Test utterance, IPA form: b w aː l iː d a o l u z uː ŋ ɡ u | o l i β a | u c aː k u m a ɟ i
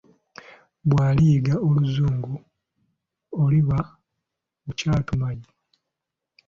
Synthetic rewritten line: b w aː l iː ɡ a o l u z uː ŋ ɡ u | o l i β a | u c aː t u m a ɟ i